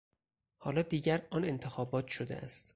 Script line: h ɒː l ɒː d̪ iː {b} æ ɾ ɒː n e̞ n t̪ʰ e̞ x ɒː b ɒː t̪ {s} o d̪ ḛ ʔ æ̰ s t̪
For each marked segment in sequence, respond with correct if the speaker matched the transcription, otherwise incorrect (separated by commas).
incorrect, incorrect